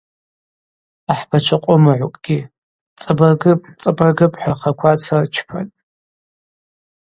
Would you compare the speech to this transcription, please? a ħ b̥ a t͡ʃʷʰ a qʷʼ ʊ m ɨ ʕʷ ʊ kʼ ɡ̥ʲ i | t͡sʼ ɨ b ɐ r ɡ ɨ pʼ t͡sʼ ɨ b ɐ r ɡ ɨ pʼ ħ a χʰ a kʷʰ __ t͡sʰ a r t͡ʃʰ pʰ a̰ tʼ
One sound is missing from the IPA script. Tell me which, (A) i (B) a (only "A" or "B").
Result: B